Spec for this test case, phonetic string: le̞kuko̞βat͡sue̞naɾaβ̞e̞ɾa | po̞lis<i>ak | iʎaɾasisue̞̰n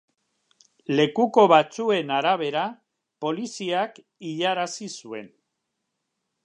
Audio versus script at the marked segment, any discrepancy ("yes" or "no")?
no